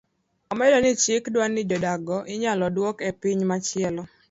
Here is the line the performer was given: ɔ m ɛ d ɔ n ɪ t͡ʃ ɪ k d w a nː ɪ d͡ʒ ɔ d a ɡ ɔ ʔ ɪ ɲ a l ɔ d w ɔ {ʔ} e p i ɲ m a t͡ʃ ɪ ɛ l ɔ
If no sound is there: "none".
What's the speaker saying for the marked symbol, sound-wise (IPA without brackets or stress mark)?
k